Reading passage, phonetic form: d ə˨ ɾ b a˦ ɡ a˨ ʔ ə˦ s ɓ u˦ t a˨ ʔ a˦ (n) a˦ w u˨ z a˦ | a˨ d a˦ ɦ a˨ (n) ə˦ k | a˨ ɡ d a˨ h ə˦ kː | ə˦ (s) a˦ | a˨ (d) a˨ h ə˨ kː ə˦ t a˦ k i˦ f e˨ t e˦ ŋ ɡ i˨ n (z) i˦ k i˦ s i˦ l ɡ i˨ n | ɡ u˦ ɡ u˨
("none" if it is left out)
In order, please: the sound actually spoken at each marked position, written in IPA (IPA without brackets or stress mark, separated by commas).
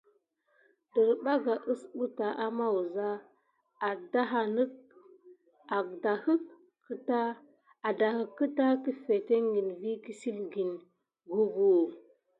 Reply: m, n, t, d, v